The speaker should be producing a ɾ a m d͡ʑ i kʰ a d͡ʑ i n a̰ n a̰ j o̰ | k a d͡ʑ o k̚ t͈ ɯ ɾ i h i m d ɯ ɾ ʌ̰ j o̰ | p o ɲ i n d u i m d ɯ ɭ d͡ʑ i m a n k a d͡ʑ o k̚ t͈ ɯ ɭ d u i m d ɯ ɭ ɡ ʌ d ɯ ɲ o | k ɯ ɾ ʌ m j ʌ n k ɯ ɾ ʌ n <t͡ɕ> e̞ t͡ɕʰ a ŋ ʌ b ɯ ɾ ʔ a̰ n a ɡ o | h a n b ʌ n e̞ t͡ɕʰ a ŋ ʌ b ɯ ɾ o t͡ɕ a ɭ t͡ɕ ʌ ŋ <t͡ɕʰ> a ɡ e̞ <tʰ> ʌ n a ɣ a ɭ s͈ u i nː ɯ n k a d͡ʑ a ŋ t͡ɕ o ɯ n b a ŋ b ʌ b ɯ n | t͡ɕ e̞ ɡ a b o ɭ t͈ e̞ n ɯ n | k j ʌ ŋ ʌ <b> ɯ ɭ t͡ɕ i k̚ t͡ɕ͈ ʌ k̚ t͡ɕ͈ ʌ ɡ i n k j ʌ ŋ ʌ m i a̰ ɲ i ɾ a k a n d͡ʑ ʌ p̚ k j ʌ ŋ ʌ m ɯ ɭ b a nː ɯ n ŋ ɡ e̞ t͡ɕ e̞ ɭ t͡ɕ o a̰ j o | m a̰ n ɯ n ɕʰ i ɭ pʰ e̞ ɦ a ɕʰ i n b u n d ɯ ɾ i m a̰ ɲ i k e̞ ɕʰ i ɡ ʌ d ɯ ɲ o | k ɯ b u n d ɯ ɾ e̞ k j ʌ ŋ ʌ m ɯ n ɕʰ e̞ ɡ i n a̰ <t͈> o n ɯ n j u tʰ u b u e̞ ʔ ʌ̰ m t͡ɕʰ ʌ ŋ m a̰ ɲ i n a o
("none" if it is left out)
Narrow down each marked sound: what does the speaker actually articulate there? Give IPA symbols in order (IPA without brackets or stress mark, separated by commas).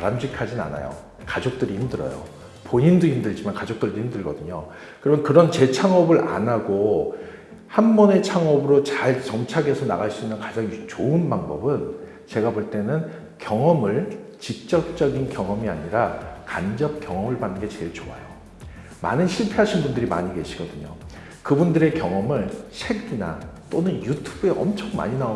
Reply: t͡ɕ, t͡ɕʰ, sʰ, m, t͈